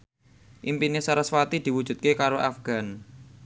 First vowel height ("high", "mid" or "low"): high